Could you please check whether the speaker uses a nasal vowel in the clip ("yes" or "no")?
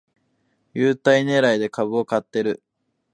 no